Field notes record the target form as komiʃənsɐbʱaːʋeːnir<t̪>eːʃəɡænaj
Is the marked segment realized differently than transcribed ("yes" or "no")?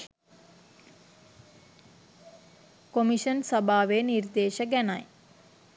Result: yes